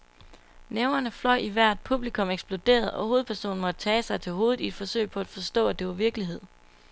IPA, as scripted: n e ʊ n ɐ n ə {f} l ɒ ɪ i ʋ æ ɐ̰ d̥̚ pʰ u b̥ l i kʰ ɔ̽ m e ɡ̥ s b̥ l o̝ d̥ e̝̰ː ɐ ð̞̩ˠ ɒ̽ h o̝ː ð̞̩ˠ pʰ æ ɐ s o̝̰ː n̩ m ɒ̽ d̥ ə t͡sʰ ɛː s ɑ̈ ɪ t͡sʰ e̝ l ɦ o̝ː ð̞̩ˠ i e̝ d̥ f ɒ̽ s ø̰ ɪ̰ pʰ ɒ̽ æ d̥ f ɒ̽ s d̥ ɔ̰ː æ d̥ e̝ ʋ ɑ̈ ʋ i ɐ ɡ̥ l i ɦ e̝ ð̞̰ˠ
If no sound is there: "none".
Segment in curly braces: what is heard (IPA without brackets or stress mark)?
f